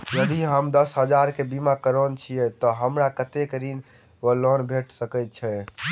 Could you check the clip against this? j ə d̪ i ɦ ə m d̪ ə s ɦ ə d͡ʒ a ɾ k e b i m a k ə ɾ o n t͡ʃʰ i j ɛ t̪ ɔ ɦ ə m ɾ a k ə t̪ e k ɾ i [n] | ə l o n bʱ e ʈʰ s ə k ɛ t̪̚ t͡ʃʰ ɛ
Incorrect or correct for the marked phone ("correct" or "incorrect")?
correct